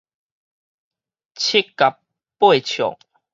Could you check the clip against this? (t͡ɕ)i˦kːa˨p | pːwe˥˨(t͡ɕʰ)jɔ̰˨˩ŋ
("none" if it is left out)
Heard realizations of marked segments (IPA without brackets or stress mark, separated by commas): t͡ɕʰ, t͡ɕʰ